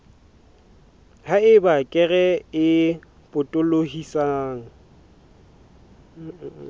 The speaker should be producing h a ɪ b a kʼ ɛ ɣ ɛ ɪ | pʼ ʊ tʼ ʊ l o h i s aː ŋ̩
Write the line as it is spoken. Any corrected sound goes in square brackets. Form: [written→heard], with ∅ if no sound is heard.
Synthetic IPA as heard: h a ɪ b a kʼ ɛ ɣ ɛ ɪ | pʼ ʊ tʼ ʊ l o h i s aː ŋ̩

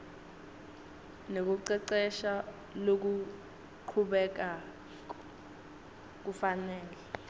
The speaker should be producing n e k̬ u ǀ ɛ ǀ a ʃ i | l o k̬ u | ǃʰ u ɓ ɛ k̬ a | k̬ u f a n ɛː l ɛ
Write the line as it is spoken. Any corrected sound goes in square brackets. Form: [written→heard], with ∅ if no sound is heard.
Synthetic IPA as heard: n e k̬ u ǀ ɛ ǀ [a→ɛ] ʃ [i→a] | l o k̬ u | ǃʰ u ɓ ɛ k̬ a | k̬ u f a n ɛː l ɛ

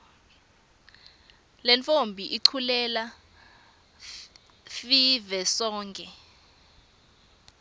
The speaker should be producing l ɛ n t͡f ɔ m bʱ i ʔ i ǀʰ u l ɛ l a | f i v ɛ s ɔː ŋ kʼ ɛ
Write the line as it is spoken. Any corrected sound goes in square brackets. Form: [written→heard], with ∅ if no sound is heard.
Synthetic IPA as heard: l ɛ n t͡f [ɔ→o] m bʱ i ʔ i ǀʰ u l ɛ l a | f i v ɛ s ɔː ŋ kʼ ɛ

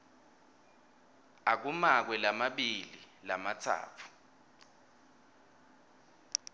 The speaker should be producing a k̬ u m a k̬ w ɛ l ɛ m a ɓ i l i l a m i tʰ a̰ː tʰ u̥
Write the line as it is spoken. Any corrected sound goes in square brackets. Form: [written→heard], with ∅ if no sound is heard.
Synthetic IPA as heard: a k̬ u m a k̬ w ɛ l [ɛ→a] m a ɓ i l i l a m [i→a] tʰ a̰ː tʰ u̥

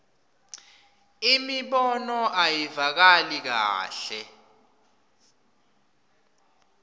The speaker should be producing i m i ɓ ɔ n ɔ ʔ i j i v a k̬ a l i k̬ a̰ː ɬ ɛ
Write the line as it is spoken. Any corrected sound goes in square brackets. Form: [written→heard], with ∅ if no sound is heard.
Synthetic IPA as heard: i m i ɓ ɔ n ɔ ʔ [i→a] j i v a k̬ a l i k̬ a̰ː ɬ ɛ

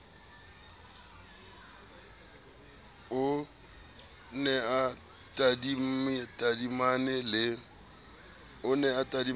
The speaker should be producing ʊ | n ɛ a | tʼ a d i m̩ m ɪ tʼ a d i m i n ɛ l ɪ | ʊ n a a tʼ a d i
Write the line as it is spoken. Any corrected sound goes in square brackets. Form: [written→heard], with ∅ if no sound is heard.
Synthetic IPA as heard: ʊ | n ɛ a | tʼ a d i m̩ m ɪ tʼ a d i m [i→a] n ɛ l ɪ | ʊ n [a→ɛ] a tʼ a d i

